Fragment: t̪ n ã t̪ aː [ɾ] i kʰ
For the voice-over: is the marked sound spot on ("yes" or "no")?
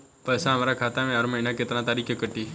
yes